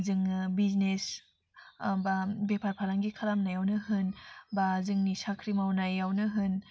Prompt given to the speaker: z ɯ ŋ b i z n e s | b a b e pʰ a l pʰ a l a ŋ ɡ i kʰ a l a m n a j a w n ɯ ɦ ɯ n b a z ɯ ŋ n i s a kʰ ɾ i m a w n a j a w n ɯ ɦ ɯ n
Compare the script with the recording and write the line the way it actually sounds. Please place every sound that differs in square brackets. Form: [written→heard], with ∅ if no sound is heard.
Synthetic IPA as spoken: z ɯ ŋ b i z n e s | b a b e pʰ a [l→ɾ] pʰ a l a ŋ ɡ i kʰ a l a m n a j a w n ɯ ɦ ɯ n b a z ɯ ŋ n i s a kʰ ɾ i m a w n a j a w n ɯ ɦ ɯ n